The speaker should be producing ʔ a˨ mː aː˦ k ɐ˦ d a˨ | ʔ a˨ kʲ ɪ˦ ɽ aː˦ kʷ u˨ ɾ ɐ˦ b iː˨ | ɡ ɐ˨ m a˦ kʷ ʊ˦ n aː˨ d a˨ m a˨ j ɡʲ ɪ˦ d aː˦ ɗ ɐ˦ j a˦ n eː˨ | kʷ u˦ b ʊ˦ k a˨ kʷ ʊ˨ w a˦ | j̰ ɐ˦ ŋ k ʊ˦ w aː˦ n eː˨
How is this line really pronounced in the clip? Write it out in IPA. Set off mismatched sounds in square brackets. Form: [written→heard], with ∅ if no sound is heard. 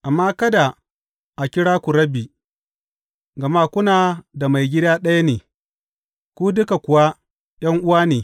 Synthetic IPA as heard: ʔ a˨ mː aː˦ k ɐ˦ d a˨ | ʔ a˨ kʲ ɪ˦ ɽ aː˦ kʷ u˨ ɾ ɐ˦ b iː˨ | ɡ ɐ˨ m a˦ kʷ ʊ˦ n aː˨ d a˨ m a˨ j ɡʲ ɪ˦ d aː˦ ɗ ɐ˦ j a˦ n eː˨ | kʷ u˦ [b→d] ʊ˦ k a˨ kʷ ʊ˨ w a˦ | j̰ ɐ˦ ŋ [k→ʔ] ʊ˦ w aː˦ n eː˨